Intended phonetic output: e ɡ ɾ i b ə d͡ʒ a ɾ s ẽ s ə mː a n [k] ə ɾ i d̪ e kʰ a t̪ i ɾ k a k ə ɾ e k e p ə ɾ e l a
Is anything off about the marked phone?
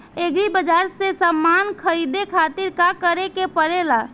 yes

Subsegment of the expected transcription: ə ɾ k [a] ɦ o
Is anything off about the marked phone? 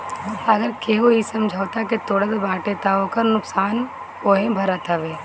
yes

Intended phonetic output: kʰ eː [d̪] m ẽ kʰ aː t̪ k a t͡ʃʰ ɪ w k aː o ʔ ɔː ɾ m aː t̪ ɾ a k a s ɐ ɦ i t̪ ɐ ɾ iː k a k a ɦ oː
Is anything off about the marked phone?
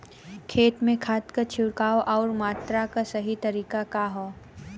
yes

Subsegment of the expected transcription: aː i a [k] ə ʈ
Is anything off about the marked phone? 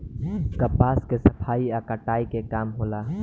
no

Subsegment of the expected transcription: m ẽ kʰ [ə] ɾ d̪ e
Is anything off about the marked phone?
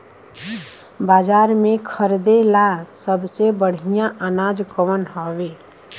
no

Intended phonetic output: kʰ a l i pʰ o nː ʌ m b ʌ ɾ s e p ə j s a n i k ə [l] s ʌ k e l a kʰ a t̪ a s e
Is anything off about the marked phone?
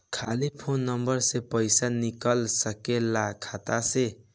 no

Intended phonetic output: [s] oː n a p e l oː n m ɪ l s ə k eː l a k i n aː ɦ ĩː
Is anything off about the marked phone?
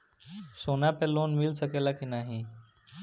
no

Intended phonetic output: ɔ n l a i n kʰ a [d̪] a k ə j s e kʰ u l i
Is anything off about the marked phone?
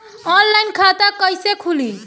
yes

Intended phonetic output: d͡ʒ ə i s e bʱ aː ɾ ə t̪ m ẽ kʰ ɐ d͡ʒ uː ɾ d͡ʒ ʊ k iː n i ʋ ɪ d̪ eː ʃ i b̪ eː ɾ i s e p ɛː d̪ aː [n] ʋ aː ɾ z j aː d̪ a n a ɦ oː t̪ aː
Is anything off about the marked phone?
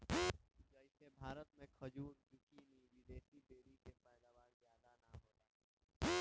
yes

